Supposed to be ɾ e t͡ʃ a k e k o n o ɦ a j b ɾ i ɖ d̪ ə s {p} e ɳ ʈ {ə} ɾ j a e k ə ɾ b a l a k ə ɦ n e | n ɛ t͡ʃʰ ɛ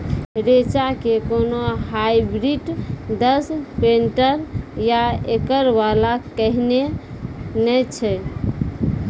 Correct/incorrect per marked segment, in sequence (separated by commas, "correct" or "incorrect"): correct, correct